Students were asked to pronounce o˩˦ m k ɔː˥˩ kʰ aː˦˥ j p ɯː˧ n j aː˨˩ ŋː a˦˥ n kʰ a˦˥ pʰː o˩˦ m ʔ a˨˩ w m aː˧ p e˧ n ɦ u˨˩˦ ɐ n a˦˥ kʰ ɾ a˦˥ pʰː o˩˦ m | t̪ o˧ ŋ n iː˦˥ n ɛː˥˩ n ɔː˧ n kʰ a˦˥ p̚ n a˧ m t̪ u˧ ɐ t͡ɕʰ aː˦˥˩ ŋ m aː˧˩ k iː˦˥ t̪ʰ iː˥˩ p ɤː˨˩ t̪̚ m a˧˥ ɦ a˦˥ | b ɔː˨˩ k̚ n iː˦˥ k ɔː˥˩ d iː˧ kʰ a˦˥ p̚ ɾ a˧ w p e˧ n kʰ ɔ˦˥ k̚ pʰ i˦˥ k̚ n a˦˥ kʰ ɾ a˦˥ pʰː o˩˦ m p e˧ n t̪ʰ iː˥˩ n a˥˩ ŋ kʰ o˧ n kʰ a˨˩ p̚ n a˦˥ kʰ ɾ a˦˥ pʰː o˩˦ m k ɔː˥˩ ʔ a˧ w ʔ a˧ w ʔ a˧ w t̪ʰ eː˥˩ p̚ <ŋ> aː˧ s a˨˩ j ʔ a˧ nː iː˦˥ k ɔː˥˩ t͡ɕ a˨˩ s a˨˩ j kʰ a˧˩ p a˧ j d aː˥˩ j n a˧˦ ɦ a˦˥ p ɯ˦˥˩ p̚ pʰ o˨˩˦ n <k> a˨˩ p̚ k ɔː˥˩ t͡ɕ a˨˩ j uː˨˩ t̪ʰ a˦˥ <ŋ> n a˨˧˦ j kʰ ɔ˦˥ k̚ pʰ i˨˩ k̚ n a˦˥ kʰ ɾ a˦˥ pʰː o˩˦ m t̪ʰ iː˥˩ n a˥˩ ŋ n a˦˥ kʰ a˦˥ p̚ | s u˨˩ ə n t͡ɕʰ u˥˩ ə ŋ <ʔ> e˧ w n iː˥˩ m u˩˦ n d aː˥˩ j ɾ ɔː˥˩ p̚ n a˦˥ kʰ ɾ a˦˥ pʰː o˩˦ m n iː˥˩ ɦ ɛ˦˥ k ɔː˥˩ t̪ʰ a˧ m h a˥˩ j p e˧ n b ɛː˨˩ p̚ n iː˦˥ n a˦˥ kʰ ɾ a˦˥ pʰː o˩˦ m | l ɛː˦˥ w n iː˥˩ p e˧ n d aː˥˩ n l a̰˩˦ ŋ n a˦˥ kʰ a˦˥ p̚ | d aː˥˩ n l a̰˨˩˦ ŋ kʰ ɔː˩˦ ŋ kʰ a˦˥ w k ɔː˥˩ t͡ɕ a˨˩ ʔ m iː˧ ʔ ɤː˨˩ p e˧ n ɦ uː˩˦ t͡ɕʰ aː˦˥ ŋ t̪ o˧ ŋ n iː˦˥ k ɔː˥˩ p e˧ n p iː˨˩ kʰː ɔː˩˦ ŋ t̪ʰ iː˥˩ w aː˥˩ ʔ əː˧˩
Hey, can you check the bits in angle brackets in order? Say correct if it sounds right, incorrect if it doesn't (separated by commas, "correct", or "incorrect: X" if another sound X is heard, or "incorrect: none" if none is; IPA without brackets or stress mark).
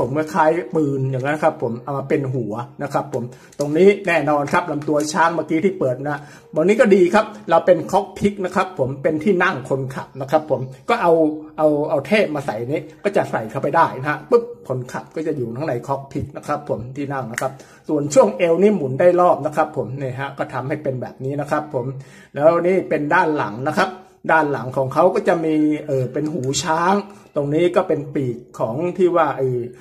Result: incorrect: m, incorrect: kʰ, correct, correct